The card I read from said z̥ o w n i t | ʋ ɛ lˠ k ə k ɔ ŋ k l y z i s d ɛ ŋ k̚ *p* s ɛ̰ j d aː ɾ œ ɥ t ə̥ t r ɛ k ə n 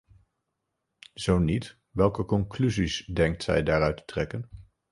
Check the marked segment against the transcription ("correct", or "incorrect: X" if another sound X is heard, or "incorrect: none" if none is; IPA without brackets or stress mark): incorrect: t